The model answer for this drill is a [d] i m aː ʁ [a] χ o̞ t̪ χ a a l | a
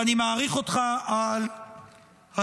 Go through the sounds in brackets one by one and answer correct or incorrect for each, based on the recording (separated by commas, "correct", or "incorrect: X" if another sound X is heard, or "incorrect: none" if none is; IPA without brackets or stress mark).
incorrect: n, incorrect: i